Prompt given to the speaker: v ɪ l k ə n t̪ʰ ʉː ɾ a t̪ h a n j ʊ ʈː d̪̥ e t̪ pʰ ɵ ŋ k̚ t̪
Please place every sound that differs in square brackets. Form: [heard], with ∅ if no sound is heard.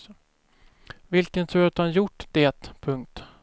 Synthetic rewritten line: v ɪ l k ə n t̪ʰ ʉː ɾ a t̪ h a n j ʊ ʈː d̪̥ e t̪ pʰ ɵ ŋ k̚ t̪